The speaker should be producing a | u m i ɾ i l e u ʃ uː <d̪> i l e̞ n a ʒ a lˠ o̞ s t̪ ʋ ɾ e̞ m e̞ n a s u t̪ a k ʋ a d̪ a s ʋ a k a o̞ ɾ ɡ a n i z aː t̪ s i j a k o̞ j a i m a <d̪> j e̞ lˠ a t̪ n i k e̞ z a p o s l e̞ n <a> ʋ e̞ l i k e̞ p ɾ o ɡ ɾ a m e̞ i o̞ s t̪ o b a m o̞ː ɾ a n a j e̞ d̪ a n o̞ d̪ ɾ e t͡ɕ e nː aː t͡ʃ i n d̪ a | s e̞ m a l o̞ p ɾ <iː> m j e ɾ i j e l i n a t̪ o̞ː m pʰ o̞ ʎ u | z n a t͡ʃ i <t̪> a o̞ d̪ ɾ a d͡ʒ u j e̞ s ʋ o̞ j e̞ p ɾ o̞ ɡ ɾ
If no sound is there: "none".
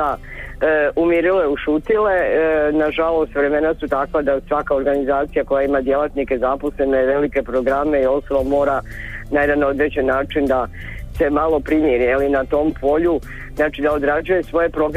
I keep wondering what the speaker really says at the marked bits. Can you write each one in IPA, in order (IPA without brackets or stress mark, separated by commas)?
t̪, d̪, e, i, d̪